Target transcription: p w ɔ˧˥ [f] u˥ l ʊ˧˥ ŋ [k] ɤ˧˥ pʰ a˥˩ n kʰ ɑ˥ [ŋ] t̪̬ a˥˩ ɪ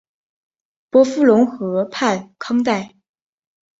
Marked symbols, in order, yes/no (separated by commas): yes, no, yes